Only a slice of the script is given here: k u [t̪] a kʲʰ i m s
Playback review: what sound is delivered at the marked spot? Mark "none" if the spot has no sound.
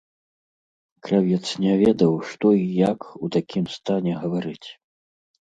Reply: t̪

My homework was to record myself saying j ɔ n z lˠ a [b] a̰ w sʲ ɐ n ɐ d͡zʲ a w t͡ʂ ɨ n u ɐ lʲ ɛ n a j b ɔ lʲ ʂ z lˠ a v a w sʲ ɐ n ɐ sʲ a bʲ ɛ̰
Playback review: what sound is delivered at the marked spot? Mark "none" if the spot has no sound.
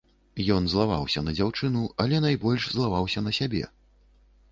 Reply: v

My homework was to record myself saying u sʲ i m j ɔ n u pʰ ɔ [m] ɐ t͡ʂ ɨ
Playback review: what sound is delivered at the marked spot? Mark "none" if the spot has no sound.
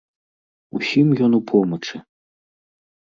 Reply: m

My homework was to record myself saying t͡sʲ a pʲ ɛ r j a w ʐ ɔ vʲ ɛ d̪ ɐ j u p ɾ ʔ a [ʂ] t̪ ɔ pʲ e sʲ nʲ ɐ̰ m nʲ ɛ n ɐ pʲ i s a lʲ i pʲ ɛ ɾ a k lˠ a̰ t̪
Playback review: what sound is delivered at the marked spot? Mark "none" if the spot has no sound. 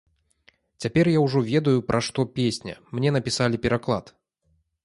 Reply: ʂ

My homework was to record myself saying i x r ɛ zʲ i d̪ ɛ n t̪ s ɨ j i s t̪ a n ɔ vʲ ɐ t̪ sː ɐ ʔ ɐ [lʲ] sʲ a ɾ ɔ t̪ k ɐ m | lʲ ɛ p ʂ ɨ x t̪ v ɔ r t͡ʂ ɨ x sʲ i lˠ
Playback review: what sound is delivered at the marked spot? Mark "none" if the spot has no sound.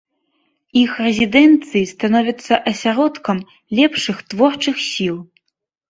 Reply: none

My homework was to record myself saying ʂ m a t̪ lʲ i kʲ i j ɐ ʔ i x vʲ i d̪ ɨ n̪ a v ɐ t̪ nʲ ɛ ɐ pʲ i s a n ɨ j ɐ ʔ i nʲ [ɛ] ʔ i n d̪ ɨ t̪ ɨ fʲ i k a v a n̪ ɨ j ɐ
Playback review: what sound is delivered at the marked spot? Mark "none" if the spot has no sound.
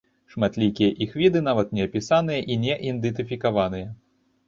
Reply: ɛ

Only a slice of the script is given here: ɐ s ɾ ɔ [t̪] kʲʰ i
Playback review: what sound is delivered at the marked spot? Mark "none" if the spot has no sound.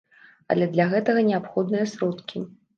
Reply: t̪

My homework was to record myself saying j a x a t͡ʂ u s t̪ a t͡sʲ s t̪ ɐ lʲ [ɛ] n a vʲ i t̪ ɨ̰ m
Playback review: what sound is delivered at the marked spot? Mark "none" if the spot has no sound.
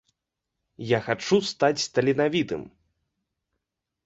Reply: i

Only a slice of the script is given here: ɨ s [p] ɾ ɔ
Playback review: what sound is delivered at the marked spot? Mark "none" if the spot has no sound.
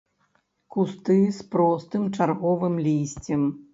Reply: p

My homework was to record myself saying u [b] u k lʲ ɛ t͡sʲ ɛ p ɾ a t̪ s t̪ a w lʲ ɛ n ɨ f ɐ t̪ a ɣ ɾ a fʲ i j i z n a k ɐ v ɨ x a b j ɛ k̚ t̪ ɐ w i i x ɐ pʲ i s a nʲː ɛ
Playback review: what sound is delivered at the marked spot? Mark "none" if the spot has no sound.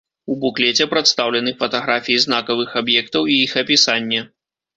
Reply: b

